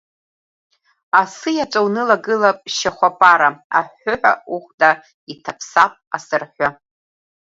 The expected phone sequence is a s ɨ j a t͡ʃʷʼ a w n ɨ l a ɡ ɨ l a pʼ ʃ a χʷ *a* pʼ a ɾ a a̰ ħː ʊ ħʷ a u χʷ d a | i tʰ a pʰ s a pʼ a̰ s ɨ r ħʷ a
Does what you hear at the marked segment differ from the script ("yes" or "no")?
no